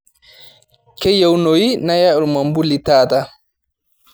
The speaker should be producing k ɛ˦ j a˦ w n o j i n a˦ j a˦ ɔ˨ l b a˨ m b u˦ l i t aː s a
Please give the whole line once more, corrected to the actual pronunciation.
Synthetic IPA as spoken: k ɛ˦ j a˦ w n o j i n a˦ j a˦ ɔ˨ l m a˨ m b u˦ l i t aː t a